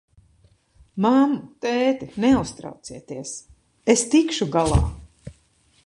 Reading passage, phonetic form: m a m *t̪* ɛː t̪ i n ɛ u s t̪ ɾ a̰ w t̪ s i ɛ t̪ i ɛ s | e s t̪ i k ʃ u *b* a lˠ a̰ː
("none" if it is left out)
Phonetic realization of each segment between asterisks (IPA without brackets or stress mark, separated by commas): t̪, ɡ